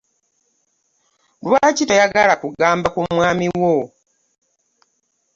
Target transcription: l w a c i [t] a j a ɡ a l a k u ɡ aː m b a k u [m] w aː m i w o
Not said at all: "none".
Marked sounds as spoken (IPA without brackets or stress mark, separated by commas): t, m